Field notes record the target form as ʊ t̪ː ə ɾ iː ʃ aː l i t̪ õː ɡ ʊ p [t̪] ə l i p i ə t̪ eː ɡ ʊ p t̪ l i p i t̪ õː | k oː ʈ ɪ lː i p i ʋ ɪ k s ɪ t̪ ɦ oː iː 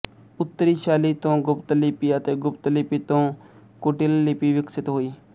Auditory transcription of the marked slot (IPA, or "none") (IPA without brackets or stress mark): t̪